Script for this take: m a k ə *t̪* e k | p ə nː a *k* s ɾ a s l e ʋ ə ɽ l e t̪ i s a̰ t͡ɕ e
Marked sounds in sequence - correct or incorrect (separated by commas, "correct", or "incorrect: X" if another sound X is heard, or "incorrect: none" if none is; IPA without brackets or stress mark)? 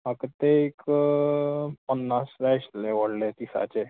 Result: correct, incorrect: none